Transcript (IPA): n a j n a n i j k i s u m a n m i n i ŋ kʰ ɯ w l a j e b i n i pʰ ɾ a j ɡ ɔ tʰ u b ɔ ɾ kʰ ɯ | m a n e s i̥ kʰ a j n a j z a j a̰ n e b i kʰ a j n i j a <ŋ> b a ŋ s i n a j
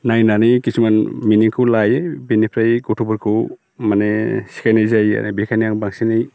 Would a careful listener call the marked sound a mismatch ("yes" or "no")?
no